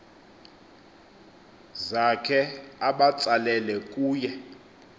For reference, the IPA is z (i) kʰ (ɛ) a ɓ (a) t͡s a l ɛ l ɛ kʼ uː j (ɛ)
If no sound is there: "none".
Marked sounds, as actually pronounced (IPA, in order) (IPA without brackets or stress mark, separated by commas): a, ɛ, a, ɛ